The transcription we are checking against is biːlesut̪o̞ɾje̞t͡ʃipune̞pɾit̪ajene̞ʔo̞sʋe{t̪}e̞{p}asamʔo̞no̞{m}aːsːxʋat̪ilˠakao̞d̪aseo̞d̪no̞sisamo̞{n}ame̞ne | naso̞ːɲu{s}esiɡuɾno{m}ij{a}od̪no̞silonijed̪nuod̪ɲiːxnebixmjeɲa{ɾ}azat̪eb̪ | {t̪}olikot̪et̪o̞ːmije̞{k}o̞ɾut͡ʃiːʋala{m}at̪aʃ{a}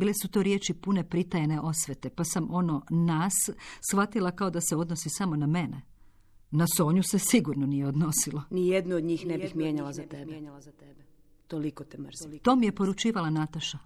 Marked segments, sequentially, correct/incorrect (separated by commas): correct, correct, incorrect, correct, correct, incorrect, incorrect, incorrect, correct, incorrect, incorrect, correct